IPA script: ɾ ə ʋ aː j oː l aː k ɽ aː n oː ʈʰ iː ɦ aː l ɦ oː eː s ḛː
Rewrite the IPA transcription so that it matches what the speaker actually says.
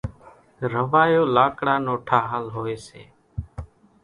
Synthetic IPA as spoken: ɾ ə ʋ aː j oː l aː k ɽ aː n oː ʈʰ aː ɦ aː l ɦ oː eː s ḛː